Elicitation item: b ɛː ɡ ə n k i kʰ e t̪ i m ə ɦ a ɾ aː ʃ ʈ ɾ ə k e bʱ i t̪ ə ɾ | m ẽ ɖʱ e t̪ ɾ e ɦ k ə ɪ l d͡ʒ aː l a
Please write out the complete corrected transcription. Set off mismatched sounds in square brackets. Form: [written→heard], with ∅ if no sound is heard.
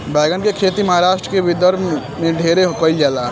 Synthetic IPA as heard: b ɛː ɡ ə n k [i→e] kʰ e t̪ i m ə ɦ a ɾ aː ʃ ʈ ɾ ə k e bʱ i [t̪→d̪] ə ɾ | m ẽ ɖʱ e [t̪→∅] ɾ e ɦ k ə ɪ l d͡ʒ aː l a